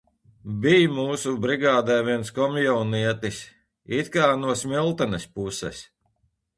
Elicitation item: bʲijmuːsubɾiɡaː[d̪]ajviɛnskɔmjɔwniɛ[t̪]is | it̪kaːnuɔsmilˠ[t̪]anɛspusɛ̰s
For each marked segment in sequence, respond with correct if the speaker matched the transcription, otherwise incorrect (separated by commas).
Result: correct, correct, correct